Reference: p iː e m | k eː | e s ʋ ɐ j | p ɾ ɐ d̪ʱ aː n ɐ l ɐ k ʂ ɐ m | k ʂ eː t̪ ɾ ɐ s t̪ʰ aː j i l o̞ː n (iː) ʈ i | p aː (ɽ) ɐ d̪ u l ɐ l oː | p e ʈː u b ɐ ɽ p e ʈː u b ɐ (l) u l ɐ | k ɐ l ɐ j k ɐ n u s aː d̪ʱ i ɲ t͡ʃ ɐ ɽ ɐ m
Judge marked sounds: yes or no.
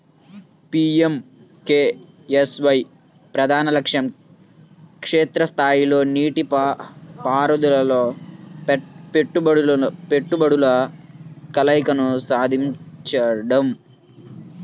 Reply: yes, no, no

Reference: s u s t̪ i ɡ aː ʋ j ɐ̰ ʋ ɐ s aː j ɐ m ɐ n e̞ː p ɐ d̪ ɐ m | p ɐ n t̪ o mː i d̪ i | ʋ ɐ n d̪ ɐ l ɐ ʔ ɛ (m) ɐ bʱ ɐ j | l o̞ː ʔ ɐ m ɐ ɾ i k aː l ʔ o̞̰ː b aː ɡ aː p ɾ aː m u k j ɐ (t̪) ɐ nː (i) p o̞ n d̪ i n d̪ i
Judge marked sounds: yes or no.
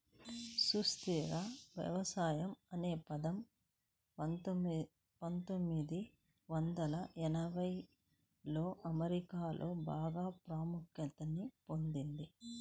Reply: no, yes, yes

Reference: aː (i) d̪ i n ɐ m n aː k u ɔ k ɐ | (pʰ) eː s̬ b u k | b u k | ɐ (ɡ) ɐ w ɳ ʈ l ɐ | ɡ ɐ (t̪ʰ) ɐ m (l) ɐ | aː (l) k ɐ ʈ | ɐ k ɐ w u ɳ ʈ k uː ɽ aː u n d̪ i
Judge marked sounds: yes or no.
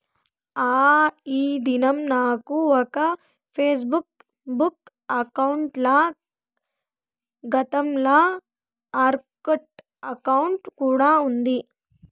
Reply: no, yes, no, no, yes, no

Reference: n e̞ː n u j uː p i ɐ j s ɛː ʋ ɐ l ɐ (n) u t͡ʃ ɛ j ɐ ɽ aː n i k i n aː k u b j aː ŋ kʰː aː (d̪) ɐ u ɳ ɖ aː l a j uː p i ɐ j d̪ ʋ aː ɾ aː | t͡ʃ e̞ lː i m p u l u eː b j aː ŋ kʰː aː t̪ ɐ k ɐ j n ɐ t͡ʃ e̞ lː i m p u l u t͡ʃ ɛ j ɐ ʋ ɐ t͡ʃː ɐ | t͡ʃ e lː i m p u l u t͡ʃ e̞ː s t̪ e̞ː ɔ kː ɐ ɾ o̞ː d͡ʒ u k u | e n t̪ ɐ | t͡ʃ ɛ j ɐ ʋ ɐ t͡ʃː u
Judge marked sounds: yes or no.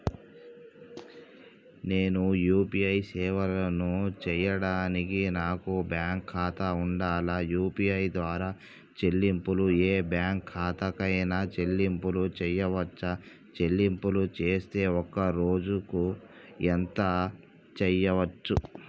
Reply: yes, no

